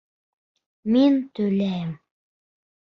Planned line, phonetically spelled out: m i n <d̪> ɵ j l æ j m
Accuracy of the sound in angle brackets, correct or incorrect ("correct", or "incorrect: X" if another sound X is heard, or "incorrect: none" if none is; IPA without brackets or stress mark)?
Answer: incorrect: t̪